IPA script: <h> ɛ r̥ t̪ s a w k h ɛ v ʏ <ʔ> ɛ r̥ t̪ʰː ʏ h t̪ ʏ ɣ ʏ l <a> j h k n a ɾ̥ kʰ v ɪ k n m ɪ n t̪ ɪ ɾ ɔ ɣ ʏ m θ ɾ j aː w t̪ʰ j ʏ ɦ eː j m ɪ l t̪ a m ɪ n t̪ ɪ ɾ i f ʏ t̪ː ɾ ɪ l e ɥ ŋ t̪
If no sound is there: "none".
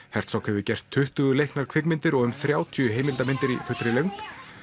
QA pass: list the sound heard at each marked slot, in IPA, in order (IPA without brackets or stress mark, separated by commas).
h, c, e